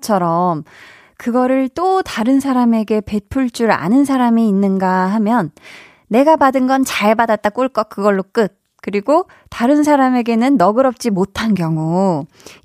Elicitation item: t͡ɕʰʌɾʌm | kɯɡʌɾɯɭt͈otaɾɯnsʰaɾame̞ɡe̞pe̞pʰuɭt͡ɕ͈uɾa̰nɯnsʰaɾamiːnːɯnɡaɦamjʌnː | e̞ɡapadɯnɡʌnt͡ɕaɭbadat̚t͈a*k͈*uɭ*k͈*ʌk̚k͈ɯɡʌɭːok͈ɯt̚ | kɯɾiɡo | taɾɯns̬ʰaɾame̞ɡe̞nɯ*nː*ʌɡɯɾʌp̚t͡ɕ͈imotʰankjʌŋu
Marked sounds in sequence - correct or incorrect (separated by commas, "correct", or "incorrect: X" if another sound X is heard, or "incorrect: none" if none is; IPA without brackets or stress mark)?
correct, correct, correct